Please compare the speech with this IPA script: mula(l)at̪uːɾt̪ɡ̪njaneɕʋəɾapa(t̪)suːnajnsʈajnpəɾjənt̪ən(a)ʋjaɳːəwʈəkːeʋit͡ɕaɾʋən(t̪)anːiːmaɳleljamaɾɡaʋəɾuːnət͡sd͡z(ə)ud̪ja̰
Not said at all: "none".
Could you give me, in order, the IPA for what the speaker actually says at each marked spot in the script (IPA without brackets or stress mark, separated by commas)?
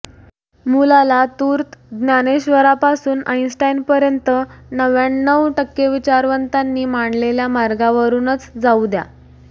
l, none, ə, t̪, a